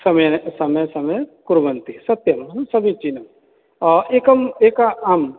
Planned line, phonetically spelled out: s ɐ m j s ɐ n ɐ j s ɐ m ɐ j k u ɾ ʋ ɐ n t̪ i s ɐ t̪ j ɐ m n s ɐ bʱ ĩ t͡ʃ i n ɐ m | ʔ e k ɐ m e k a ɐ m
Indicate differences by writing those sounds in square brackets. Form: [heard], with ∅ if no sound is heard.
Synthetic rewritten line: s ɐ m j s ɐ [m] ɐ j s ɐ m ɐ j k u ɾ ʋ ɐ n t̪ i s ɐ t̪ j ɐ m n s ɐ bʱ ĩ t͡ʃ i n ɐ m | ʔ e k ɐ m e k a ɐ m